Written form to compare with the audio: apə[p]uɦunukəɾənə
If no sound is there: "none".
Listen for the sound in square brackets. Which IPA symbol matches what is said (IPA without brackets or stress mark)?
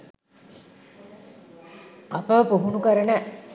p